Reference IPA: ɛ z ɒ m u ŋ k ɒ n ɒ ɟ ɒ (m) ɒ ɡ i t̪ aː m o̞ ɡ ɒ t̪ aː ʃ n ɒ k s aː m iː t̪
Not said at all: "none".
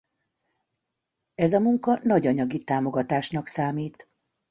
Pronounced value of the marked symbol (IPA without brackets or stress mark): ɲ